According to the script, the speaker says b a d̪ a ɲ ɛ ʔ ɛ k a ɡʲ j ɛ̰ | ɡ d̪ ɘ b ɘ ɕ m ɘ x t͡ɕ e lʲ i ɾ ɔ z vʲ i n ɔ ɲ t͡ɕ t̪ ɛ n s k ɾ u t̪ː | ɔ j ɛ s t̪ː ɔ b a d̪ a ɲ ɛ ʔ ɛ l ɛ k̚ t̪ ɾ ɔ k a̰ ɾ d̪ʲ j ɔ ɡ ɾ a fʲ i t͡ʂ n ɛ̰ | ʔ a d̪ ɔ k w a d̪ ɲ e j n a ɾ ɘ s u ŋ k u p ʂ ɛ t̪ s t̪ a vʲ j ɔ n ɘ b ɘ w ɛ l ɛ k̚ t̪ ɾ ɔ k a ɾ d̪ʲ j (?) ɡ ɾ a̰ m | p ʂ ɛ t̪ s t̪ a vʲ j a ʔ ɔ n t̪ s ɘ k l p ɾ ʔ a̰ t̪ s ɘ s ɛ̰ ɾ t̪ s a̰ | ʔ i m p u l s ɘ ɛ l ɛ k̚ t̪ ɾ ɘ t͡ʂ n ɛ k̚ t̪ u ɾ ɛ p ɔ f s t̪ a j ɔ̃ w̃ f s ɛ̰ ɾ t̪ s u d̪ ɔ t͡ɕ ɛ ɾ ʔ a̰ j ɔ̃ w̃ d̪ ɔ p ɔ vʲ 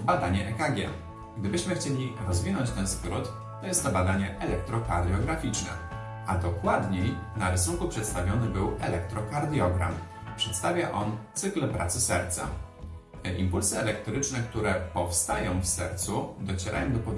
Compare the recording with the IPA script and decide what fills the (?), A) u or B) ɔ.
B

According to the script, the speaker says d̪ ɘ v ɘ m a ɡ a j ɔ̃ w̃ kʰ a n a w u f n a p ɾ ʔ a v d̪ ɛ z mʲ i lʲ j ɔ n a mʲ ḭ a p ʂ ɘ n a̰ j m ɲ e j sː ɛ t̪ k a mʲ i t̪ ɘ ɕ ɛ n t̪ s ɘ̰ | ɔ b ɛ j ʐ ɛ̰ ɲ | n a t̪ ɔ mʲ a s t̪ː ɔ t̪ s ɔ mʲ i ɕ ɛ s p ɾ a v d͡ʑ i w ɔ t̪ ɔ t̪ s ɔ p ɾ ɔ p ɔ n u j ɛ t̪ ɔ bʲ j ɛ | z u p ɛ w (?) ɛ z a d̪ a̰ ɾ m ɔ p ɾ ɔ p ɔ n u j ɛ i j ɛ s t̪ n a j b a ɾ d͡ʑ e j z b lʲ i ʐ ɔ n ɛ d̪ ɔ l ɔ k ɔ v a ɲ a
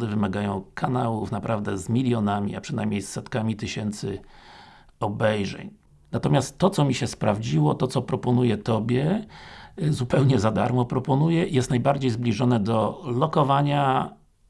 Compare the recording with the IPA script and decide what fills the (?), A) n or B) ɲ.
B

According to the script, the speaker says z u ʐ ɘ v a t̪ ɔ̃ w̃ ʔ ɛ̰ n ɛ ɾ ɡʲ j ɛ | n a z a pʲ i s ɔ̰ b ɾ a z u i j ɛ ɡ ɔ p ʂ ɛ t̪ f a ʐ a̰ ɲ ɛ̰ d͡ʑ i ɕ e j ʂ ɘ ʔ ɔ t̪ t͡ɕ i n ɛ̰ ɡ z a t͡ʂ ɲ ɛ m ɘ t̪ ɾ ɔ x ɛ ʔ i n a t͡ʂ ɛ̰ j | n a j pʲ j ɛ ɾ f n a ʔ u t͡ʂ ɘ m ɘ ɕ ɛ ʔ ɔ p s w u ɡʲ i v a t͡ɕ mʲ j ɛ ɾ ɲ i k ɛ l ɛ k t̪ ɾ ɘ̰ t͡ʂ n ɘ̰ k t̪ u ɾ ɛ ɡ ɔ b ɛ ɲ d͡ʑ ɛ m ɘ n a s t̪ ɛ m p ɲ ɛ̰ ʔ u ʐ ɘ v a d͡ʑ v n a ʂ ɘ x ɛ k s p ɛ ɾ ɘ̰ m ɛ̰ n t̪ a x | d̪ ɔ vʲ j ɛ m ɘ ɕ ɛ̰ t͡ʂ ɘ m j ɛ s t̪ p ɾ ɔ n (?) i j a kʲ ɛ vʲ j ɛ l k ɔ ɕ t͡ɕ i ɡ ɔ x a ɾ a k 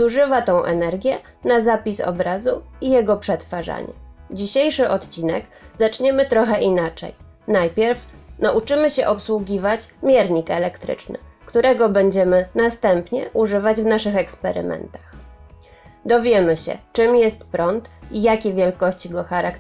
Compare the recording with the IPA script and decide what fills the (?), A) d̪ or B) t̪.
B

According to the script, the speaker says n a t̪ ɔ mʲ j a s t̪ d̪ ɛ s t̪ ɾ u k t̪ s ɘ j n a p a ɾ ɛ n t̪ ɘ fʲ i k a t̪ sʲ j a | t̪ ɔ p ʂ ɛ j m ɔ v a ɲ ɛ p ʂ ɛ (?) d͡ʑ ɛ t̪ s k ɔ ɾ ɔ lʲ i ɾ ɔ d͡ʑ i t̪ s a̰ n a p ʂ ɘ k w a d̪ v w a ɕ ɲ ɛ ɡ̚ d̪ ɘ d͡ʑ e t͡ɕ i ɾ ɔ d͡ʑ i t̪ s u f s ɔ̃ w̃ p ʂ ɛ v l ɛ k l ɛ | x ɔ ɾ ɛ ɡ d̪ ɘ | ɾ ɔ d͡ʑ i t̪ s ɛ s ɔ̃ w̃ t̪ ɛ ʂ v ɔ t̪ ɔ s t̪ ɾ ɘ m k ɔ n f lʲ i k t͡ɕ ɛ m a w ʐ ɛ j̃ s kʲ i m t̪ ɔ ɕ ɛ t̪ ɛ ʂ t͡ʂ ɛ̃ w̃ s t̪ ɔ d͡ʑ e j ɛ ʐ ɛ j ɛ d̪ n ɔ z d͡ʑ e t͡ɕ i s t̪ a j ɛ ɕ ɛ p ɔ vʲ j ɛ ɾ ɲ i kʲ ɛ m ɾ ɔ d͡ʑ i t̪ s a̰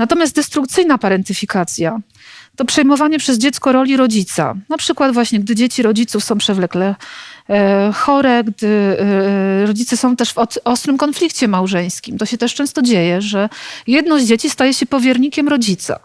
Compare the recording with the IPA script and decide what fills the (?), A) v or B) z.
B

